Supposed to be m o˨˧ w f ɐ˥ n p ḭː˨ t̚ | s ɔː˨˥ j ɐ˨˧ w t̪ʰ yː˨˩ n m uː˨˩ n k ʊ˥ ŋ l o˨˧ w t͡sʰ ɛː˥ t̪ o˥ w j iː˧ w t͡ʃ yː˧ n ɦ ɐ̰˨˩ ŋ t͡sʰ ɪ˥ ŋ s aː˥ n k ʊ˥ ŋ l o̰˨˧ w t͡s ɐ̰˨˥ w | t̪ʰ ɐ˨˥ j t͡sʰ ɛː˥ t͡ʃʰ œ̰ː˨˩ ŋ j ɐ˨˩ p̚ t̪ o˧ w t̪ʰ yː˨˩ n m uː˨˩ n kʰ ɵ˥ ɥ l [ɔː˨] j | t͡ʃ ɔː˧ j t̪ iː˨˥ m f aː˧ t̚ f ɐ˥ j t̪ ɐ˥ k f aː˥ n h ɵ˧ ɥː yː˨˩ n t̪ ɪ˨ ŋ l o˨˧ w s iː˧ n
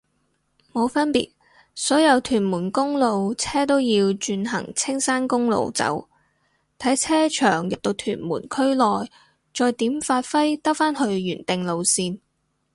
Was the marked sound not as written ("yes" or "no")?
no